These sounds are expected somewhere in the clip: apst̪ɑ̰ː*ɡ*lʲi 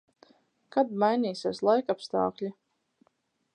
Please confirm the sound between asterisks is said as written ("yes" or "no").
no